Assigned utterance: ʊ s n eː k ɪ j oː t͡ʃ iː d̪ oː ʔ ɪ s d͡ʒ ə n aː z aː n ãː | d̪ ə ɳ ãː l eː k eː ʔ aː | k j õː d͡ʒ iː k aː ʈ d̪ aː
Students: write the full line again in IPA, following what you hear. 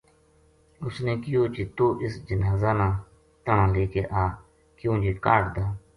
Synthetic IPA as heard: ʊ s n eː k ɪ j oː t͡ʃ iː t̪ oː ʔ ɪ s d͡ʒ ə n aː z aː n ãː | t̪ ə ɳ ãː l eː k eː ʔ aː | k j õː d͡ʒ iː k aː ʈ d̪ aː